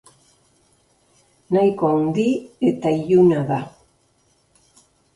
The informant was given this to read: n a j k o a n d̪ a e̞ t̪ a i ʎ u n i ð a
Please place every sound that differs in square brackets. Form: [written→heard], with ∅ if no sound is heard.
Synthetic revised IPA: n a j k o a n d̪ [a→i] e̞ t̪ a i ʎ u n [i→a] ð a